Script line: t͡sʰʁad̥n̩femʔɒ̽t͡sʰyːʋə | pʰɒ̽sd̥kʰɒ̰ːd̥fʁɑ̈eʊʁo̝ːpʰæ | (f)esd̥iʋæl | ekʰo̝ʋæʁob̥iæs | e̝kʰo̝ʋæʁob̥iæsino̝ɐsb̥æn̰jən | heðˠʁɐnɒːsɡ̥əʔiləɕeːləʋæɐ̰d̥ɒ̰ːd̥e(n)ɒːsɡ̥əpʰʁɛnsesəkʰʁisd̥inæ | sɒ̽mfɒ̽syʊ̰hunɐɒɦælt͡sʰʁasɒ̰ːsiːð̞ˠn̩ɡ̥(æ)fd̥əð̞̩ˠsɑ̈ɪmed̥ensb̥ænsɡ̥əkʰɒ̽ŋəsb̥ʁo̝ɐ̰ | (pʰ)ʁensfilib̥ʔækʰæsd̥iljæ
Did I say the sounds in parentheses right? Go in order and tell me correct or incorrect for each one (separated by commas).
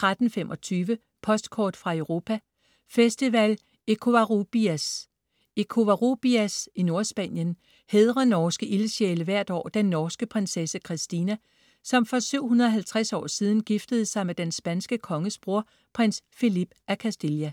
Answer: correct, incorrect, incorrect, correct